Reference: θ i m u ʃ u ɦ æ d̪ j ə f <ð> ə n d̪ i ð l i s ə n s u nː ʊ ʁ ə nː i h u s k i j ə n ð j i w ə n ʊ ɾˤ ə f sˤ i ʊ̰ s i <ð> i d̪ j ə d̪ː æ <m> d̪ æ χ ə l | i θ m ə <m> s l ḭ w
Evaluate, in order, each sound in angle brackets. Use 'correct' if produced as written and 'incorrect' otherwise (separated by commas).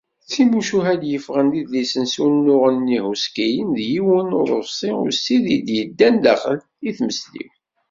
incorrect, correct, incorrect, incorrect